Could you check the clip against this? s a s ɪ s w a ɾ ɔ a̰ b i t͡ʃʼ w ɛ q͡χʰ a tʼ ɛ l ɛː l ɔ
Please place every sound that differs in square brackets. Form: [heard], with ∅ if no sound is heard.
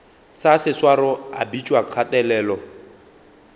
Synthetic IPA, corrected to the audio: s a s ɪ s w a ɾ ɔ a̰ b i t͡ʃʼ w [a] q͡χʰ a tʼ ɛ l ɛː l ɔ